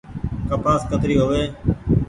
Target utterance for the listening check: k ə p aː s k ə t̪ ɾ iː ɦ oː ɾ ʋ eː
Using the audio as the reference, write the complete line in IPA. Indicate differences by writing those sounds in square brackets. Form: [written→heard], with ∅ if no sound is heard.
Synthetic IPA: k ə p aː s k ə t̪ ɾ iː ɦ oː [ɾ→∅] ʋ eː